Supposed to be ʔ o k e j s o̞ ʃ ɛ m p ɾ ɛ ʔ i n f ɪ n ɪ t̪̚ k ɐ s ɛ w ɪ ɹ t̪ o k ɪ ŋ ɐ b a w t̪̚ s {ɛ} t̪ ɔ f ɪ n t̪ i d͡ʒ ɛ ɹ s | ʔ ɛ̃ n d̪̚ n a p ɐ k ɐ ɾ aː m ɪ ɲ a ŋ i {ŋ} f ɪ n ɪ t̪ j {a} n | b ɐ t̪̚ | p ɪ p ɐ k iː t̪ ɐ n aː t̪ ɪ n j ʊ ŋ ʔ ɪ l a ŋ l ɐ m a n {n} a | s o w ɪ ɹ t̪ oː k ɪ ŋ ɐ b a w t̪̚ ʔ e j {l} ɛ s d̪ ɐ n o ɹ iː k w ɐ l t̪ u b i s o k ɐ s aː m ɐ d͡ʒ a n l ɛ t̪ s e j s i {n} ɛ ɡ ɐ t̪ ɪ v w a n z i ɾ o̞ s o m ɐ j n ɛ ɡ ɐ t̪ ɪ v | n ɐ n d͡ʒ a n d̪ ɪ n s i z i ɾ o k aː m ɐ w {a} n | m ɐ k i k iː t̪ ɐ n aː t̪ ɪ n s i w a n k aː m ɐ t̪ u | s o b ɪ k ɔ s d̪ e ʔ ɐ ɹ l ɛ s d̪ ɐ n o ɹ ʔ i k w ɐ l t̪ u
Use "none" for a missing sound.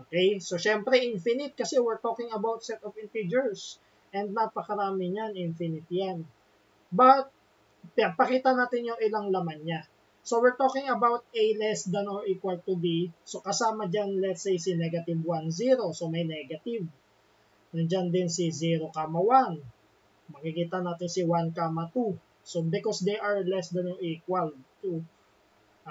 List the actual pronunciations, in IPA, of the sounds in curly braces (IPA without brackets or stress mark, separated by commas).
ɛ, n, a, ɲ, l, n, a